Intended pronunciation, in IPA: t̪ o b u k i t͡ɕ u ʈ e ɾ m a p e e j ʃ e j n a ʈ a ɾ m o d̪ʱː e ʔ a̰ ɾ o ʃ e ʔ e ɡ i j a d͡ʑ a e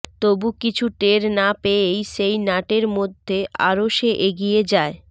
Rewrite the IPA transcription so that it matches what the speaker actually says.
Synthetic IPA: t̪ o b u k i t͡ɕʰ u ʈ e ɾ n a p e e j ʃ e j n a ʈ e ɾ m o d̪ʱː e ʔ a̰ ɾ o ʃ e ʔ e ɡ i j e d͡ʑ a e